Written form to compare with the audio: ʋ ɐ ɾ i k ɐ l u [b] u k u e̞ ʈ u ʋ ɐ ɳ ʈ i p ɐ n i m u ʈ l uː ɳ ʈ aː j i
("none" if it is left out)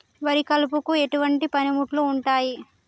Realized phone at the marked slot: p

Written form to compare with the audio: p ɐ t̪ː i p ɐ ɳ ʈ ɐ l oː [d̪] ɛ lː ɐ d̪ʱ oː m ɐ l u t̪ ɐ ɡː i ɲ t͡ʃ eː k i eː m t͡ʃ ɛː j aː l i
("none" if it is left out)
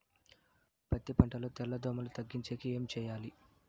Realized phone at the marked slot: t̪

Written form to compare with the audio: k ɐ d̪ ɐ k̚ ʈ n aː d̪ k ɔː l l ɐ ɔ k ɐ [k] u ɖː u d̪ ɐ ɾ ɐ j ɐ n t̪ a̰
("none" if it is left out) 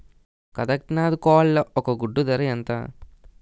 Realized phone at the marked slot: ɡ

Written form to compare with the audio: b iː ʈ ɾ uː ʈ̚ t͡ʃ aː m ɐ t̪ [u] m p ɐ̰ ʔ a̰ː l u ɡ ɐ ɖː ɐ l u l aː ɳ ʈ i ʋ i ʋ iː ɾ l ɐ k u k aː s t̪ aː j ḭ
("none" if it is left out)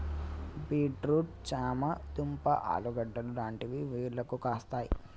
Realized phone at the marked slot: u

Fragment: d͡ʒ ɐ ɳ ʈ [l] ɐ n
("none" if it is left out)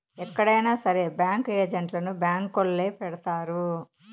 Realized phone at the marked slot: l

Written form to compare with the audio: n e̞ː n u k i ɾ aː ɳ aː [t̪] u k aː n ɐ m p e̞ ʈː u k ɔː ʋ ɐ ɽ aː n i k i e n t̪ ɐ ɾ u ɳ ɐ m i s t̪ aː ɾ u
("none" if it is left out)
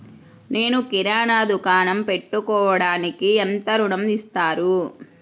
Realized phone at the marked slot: d̪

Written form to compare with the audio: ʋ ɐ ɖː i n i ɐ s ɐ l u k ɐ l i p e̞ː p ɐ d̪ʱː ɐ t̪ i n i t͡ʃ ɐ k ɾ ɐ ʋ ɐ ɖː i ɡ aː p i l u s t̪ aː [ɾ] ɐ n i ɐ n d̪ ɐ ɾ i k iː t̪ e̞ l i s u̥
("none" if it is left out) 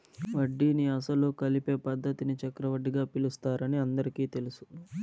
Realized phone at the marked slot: ɾ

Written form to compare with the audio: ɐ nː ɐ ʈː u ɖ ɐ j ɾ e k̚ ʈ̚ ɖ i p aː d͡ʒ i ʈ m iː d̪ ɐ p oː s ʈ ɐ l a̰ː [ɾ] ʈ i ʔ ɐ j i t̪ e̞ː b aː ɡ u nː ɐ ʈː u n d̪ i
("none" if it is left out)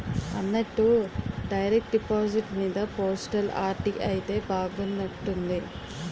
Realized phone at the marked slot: ɾ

